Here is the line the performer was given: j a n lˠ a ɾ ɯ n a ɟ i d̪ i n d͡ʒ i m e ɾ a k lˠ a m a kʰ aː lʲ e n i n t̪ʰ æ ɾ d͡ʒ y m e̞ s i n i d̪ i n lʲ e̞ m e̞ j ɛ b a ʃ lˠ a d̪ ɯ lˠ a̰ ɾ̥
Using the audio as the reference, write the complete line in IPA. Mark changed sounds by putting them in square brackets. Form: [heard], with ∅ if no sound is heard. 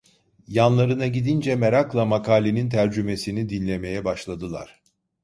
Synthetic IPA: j a n lˠ a ɾ ɯ n a ɟ i d̪ i n d͡ʒ [ɛ] m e ɾ a k lˠ a m a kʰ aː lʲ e n i n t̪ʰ æ ɾ d͡ʒ y m e̞ s i n i d̪ i n lʲ e̞ m e̞ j ɛ b a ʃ lˠ a d̪ ɯ lˠ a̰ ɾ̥